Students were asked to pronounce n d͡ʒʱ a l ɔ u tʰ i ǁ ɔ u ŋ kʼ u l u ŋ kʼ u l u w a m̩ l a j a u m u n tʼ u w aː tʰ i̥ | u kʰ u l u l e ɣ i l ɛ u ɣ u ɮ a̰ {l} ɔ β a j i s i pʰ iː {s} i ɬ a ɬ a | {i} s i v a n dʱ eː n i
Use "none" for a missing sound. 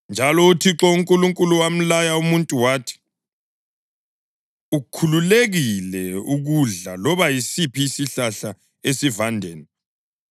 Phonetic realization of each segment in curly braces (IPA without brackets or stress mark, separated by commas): l, s, e